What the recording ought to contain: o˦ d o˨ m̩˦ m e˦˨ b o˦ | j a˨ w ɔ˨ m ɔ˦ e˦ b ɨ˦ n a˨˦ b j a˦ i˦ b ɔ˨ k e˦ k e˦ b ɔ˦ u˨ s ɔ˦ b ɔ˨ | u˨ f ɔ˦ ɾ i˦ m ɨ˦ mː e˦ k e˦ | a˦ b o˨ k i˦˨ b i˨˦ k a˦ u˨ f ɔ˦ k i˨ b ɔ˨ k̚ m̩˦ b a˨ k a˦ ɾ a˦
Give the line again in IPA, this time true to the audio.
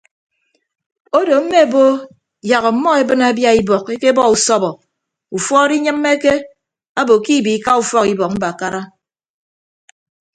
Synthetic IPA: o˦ d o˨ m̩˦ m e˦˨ b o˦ | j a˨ ɣ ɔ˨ m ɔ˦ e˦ b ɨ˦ n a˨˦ b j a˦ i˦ b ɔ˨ k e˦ k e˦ b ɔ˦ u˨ s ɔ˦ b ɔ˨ | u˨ f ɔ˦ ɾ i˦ ɲ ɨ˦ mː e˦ k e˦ | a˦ b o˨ k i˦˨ b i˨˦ k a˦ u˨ f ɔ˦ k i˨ b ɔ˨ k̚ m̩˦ b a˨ k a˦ ɾ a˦